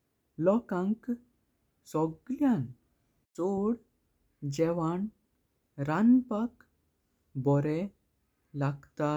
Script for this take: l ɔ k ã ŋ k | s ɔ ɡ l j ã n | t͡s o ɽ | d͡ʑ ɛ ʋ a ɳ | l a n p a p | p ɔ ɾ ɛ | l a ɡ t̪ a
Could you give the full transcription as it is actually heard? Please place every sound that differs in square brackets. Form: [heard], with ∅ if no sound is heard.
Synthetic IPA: l ɔ k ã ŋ k | s ɔ ɡ l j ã n | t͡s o ɽ | d͡ʑ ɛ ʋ a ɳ | [ɾ] a n p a [k] | [b] ɔ ɾ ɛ | l a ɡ t̪ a

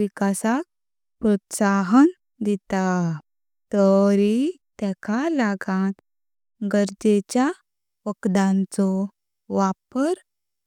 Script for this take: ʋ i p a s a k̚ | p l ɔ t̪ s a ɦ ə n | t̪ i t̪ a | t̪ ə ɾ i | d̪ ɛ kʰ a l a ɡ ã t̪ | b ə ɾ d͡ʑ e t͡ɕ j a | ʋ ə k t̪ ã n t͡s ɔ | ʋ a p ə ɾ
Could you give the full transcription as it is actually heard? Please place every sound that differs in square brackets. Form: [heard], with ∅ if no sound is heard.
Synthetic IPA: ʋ i [k] a s a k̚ | p [ɾ] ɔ t̪ s a ɦ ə n | [d̪] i t̪ a | t̪ ə ɾ i | [t̪] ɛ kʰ a l a ɡ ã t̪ | [ɡ] ə ɾ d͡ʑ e t͡ɕ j a | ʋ ə k [d̪] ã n t͡s ɔ | ʋ a p ə ɾ

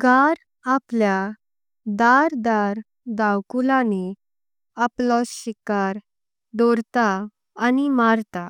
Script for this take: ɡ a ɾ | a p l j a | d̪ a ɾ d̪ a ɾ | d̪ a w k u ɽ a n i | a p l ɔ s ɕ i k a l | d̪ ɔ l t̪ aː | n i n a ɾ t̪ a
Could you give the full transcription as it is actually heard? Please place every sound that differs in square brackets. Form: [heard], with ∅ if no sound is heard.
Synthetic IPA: ɡ a ɾ | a p l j a | d̪ a ɾ d̪ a ɾ | d̪ a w k u [l] a n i | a p l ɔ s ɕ i k a [ɾ] | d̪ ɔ [ɾ] t̪ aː | n i [m] a ɾ t̪ a

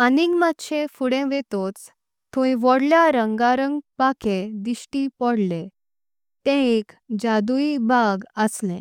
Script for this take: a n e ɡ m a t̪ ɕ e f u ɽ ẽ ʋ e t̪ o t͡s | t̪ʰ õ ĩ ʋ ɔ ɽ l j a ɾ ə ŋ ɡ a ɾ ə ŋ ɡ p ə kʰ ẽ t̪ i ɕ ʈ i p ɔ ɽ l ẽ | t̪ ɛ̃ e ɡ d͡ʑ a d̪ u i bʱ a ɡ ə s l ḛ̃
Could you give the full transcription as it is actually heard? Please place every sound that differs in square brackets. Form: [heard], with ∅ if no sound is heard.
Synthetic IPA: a n [i] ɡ m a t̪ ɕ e f u ɽ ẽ ʋ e t̪ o t͡s | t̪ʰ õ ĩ ʋ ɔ ɽ l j a ɾ ə ŋ ɡ a ɾ ə ŋ ɡ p [a] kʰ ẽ [d̪] i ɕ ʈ i p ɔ ɽ l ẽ | t̪ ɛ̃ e [k] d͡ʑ a d̪ u i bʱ a ɡ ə s l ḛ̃

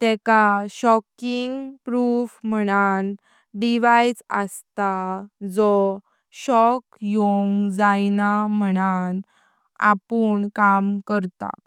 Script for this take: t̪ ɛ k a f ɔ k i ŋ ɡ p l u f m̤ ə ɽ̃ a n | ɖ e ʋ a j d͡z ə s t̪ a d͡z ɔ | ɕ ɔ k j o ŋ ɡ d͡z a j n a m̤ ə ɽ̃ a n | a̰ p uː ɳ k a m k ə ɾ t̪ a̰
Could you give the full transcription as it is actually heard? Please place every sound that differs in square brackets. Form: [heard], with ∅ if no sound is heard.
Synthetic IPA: t̪ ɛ k a [ɕ] ɔ k i ŋ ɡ p [ɾ] u f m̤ ə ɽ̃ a n | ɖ [i] ʋ a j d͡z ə s t̪ a d͡z ɔ | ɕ ɔ k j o ŋ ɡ d͡z a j n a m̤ ə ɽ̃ a n | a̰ p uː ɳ k a m k ə ɾ t̪ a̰

